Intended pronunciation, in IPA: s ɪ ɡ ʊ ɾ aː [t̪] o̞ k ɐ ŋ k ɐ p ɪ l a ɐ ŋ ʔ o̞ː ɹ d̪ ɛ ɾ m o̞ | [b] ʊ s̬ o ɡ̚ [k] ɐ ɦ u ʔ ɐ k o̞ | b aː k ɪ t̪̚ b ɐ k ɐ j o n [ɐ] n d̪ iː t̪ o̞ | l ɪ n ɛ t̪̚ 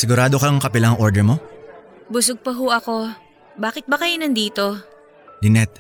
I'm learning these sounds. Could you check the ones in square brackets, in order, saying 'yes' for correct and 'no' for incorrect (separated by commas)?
no, yes, no, yes